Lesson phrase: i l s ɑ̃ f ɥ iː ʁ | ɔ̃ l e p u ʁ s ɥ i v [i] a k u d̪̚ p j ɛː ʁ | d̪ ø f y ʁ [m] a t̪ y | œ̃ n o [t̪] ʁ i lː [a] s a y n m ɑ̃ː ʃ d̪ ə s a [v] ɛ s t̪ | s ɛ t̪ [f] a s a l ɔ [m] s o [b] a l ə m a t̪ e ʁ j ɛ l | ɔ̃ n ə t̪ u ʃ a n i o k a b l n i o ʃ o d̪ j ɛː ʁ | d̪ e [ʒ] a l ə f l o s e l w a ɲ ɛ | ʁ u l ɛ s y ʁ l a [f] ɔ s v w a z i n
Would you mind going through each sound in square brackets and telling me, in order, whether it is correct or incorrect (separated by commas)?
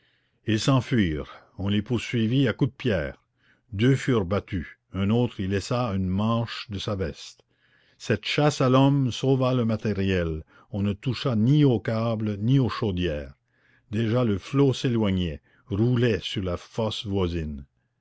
correct, incorrect, correct, incorrect, correct, incorrect, correct, incorrect, correct, correct